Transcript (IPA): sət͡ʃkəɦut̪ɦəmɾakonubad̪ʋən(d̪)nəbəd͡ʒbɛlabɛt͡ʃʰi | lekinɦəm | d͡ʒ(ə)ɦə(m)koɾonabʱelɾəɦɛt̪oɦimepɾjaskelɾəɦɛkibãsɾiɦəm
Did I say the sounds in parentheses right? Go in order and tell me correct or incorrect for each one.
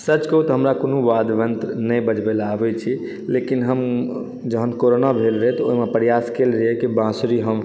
incorrect: t̪, correct, incorrect: n

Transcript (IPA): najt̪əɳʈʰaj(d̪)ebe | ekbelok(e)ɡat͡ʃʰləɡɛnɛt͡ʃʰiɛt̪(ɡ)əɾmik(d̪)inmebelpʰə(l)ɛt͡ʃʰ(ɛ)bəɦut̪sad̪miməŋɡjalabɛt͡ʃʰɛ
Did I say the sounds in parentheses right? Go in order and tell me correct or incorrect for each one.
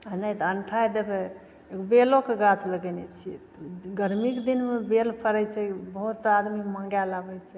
correct, correct, correct, correct, incorrect: ɾ, correct

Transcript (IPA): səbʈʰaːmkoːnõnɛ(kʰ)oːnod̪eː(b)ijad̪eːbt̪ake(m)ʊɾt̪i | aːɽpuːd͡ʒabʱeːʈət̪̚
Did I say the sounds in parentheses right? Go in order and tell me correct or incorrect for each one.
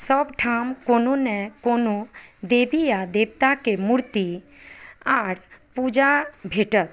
incorrect: k, correct, correct

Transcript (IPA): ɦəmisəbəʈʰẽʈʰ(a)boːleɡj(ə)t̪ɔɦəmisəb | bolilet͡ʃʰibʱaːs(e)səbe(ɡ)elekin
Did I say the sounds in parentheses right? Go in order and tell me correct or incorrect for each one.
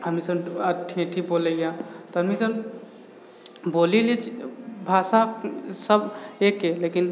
incorrect: i, incorrect: a, incorrect: a, incorrect: k

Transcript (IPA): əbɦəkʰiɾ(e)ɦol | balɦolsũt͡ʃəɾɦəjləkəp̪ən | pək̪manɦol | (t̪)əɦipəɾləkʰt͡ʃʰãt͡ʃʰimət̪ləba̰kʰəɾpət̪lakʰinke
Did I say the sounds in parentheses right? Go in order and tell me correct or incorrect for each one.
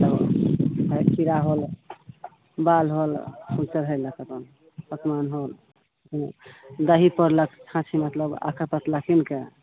incorrect: a, incorrect: d̪

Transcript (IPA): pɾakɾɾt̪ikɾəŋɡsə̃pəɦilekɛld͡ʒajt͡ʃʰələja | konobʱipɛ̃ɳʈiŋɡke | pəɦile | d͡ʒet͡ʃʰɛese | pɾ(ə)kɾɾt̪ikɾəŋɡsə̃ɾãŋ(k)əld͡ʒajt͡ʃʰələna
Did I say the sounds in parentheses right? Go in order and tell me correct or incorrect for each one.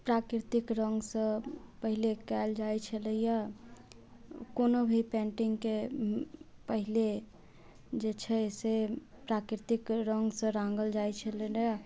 incorrect: a, incorrect: ɡ

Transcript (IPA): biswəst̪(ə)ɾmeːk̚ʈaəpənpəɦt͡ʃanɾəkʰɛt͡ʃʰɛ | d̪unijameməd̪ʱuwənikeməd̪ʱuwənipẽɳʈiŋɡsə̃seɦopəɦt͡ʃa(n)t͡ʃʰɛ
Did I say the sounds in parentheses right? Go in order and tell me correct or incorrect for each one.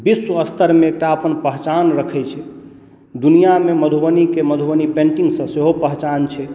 correct, correct

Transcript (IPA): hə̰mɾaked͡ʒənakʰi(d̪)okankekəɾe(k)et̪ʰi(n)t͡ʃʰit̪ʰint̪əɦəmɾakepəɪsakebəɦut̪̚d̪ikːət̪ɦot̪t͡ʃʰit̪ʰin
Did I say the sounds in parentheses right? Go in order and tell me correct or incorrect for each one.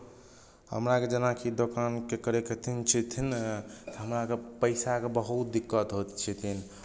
correct, correct, correct

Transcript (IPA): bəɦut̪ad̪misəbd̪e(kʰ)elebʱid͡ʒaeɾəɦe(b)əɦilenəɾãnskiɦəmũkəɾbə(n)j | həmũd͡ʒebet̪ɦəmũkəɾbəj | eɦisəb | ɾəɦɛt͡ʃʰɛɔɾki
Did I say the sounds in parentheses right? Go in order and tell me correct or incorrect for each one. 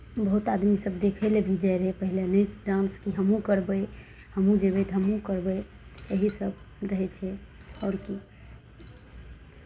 correct, incorrect: p, incorrect: none

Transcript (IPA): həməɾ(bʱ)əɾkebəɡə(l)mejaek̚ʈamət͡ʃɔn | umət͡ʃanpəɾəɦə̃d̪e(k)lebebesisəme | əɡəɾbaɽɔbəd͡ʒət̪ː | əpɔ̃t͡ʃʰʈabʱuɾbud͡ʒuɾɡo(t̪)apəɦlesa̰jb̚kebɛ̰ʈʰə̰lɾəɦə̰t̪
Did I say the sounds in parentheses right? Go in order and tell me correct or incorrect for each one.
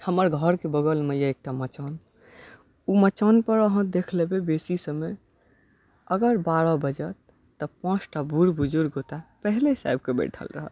incorrect: ɡʱ, correct, incorrect: kʰ, correct

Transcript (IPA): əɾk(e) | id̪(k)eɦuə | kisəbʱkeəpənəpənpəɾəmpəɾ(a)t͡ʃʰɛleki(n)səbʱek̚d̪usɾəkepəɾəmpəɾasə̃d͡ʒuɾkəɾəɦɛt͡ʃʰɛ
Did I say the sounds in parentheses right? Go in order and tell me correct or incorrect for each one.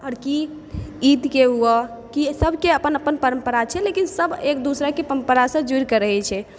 incorrect: i, correct, correct, correct

